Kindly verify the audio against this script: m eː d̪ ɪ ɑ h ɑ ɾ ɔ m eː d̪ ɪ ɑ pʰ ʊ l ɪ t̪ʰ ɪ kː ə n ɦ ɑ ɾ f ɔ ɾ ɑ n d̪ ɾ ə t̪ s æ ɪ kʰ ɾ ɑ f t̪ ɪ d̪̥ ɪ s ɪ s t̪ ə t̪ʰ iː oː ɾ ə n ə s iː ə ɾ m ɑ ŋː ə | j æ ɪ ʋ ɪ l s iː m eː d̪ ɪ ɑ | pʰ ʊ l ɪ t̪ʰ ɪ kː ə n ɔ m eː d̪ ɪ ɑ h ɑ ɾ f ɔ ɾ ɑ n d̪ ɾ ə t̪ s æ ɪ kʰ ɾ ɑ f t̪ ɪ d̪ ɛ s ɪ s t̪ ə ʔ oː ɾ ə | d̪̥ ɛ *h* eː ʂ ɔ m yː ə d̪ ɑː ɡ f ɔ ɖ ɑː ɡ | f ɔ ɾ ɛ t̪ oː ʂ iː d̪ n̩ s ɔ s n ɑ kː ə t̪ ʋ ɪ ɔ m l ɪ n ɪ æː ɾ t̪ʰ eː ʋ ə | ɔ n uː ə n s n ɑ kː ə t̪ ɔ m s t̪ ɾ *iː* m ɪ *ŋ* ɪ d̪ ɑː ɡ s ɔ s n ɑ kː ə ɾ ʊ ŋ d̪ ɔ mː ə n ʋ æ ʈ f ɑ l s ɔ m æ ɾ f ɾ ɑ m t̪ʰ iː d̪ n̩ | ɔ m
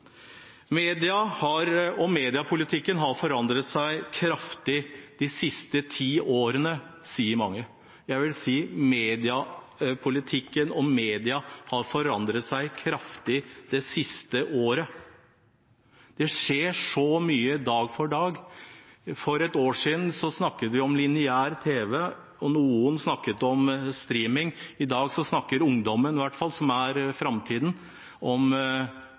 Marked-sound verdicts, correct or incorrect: incorrect, correct, correct

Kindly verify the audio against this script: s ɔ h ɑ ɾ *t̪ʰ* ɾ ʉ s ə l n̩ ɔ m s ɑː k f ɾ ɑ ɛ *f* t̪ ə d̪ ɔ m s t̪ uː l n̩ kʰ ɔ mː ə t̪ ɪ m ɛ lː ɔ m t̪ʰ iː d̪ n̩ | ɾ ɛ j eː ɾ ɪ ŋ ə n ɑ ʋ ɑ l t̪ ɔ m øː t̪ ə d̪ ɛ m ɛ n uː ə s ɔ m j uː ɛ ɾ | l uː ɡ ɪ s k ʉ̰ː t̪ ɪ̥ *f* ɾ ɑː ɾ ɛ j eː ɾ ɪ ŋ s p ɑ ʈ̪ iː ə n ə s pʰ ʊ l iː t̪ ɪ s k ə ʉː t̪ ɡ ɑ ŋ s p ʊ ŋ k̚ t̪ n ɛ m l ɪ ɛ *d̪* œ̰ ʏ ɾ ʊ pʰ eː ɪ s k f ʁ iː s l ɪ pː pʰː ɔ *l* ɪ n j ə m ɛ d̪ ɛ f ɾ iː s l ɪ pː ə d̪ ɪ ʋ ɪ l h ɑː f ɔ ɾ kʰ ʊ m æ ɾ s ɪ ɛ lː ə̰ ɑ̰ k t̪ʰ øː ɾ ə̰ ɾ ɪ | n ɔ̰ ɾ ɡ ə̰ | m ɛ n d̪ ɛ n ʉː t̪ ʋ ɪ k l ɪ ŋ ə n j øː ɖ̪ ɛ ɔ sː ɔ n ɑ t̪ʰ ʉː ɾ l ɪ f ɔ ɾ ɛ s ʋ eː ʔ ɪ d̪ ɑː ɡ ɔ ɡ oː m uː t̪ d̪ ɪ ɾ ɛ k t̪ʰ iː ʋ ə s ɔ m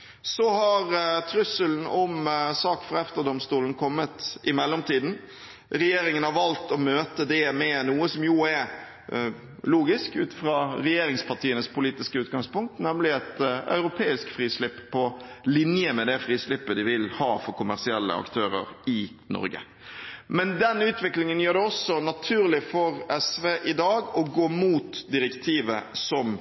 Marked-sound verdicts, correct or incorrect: correct, correct, correct, incorrect, correct

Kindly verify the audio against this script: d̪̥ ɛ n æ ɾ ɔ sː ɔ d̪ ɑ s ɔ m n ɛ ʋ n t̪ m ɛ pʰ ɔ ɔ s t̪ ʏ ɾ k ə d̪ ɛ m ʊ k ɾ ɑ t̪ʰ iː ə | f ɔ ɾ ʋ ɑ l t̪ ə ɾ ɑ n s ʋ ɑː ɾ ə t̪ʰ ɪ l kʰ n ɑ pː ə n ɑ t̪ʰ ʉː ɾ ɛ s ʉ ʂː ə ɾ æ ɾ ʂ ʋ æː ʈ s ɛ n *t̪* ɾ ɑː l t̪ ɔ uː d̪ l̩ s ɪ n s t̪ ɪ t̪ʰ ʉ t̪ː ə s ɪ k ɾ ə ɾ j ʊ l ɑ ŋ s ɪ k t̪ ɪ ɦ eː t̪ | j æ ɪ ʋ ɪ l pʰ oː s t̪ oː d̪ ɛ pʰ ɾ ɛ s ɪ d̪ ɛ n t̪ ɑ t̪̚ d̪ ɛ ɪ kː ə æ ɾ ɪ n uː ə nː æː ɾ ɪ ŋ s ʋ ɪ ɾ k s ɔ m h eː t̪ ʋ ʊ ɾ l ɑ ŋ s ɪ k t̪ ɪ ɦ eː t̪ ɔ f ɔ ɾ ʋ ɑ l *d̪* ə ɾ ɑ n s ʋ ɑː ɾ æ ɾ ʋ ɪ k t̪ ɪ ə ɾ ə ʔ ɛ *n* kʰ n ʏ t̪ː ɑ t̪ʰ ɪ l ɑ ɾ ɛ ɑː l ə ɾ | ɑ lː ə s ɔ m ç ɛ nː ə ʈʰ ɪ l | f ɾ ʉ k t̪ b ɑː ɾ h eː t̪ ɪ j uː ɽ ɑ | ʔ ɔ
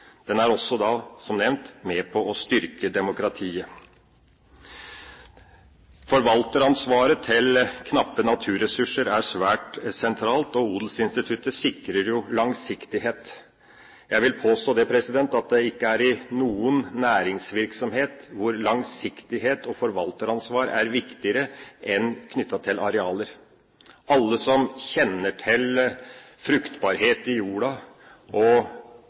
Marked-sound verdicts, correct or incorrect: incorrect, incorrect, correct

